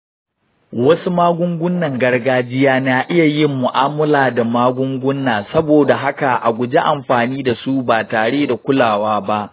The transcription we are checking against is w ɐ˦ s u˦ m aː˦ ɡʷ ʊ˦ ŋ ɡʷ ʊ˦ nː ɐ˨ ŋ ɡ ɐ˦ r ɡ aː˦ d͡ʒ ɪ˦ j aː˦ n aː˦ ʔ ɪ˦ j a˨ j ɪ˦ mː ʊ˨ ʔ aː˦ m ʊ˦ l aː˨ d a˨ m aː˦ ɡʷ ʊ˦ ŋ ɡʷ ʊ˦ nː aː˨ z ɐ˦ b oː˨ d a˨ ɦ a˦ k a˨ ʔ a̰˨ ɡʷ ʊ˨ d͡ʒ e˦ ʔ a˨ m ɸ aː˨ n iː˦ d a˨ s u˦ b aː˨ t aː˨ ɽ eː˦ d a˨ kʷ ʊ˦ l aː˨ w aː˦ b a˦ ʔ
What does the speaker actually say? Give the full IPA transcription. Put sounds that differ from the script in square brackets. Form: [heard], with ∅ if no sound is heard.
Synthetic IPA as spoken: w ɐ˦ s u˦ m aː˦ ɡʷ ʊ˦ ŋ ɡʷ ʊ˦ nː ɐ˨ ŋ ɡ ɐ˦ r ɡ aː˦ d͡ʒ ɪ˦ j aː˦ n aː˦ ʔ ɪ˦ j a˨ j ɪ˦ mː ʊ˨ ʔ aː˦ m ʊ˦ l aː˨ d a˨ m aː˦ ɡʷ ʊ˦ ŋ ɡʷ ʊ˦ nː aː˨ [s] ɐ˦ b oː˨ d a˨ ɦ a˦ k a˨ ʔ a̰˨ ɡʷ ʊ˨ d͡ʒ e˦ ʔ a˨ m ɸ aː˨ n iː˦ d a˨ s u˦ b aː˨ t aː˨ ɽ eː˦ d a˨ kʷ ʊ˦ l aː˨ w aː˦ b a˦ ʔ